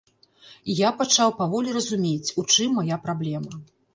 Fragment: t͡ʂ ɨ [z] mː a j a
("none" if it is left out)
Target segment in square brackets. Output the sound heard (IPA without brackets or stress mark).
none